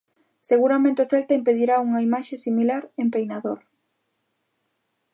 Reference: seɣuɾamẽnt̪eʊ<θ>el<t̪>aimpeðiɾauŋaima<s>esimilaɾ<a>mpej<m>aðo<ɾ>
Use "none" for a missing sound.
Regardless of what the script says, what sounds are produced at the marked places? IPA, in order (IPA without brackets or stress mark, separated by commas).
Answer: θ, t̪, ʃ, e, n, ɾ